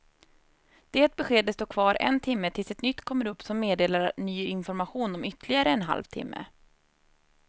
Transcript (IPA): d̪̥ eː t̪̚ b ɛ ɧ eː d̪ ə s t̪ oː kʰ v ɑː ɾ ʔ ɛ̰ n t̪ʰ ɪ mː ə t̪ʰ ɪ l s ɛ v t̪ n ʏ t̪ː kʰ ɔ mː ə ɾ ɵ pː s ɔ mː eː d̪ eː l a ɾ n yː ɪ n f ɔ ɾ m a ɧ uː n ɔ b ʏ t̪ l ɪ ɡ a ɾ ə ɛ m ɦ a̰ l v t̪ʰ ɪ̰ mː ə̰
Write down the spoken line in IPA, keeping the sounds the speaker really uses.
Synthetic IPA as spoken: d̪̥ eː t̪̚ b ɛ ɧ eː d̪ ə s t̪ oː kʰ v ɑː ɾ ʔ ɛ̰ n t̪ʰ ɪ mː ə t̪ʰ ɪ l s ɛ t̪ n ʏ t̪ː kʰ ɔ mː ə ɾ ɵ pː s ɔ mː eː d̪ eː l a ɾ n yː ɪ n f ɔ ɾ m a ɧ uː n ɔ m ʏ t̪ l ɪ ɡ a ɾ ə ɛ n ɦ a̰ l v t̪ʰ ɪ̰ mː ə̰